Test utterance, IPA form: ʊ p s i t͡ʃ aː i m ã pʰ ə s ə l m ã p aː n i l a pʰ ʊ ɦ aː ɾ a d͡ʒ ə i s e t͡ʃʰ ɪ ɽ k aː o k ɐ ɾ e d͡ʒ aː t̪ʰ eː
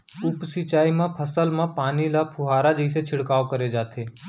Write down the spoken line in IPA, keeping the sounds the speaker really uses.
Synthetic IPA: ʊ p s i t͡ʃ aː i m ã pʰ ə s ə l m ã p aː n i l a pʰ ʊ ɦ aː ɾ a d͡ʒ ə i s e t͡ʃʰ ɪ ɽ k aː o k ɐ ɾ e d͡ʒ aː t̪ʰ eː